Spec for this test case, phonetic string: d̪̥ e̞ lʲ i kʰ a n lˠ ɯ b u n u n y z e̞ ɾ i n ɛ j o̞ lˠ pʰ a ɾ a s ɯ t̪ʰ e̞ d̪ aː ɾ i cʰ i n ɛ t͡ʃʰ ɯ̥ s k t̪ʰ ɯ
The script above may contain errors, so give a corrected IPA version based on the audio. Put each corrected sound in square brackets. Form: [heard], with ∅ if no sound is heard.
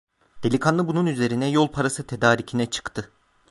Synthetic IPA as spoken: d̪̥ e̞ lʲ i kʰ a n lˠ ɯ b u n u n y z e̞ ɾ i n ɛ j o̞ lˠ pʰ a ɾ a s ɯ t̪ʰ e̞ d̪ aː ɾ i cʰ i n ɛ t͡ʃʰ ɯ̥ [∅] k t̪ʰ ɯ